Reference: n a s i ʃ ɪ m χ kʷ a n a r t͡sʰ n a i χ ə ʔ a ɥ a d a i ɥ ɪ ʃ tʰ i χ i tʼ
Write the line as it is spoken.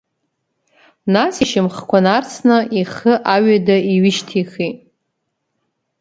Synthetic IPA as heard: n a s i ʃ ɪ m χ kʷ a n a r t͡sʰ n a i χ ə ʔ a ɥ a d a i ɥ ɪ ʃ tʰ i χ i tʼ

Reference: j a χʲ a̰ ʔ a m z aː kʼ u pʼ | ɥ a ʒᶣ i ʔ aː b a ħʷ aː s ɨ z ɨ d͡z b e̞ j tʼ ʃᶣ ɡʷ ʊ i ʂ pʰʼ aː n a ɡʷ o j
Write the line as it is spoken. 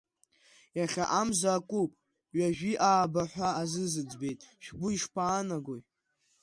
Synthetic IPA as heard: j a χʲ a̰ ʔ a m z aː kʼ u pʼ | ɥ a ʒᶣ i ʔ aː b a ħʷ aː z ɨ z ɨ d͡z b e̞ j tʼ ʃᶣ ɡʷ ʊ i ʂ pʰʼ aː n a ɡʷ o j

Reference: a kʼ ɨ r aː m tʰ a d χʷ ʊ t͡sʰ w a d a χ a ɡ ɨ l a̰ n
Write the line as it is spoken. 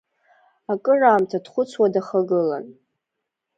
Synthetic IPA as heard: a kʼ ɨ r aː m tʰ a d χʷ ʊ t͡sʰ w a d a χ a ɡ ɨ l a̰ n

